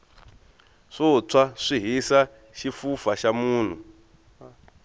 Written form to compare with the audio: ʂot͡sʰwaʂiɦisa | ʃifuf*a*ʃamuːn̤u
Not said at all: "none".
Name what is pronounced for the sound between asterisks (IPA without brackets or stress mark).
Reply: a